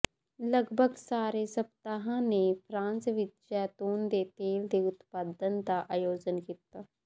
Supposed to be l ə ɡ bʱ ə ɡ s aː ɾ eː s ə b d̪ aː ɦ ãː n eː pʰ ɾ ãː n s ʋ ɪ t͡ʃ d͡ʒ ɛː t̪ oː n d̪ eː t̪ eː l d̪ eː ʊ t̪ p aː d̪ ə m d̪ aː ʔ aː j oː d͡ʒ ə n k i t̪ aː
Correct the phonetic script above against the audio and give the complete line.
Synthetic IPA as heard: l ə ɡ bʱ ə ɡ s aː ɾ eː s ə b t̪ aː ɦ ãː n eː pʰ ɾ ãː n s ʋ ɪ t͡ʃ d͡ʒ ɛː t̪ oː n d̪ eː t̪ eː l d̪ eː ʊ t̪ p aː d̪ ə n d̪ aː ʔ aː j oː d͡ʒ ə n k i t̪ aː